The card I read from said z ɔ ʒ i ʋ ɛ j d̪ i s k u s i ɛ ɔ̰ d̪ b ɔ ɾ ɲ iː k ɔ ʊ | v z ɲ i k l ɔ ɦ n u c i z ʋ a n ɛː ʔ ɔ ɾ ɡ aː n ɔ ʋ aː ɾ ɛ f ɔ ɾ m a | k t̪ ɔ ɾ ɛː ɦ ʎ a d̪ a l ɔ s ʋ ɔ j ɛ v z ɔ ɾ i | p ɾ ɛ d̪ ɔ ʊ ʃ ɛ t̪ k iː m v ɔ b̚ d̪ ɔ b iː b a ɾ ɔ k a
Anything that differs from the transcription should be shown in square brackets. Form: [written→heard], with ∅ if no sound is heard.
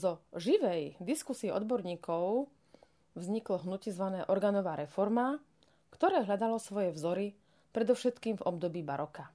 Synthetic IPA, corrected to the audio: z ɔ ʒ i ʋ ɛ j d̪ i s k u s i ɛ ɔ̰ d̪ b ɔ ɾ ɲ iː k ɔ ʊ | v z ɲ i k l ɔ ɦ n u c i z ʋ a n ɛː ʔ ɔ ɾ ɡ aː n ɔ ʋ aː ɾ ɛ f ɔ ɾ m a | k t̪ ɔ ɾ ɛː ɦ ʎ a d̪ a l ɔ s ʋ ɔ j ɛ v z ɔ ɾ i | p ɾ ɛ d̪ ɔ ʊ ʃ ɛ t̪ k iː m v ɔ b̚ d̪ ɔ b iː b a ɾ ɔ k a